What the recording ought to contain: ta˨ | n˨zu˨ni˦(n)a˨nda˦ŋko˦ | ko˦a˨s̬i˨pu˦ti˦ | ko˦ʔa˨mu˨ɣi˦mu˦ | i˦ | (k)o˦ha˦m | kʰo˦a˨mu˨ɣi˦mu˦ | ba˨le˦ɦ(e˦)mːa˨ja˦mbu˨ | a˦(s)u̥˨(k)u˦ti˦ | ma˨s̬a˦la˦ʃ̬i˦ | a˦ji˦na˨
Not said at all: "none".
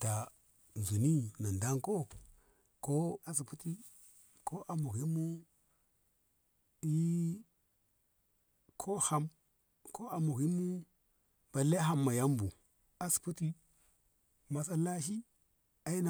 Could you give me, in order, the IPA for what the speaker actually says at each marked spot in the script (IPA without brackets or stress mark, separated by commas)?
n, kʰ, a˦, s, p